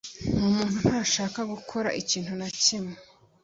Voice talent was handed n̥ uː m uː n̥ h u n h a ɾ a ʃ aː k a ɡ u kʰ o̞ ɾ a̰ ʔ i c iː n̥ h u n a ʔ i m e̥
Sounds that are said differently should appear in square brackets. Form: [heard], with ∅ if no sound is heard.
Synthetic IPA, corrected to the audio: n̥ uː m uː n̥ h u n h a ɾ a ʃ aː k a ɡ u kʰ o̞ ɾ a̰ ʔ i c iː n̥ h u n a [c] i m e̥